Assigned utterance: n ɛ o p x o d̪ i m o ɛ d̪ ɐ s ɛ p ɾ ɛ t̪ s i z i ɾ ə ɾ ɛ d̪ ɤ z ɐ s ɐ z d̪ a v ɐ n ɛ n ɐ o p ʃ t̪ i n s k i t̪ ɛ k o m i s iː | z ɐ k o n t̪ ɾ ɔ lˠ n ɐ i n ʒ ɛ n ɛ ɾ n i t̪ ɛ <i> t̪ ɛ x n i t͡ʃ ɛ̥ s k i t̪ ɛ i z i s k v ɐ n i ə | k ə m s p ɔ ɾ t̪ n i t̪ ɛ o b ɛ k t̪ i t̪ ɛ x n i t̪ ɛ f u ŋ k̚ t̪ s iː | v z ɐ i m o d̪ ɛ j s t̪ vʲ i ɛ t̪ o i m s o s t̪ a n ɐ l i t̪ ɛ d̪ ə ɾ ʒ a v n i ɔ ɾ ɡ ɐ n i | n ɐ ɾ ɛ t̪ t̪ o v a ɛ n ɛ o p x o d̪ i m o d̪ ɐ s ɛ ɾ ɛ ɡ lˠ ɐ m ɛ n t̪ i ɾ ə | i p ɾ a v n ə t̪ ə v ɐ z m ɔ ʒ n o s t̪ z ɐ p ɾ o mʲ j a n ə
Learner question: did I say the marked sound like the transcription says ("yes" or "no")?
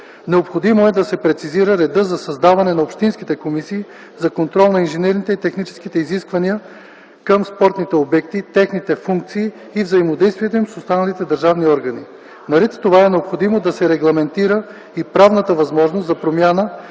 yes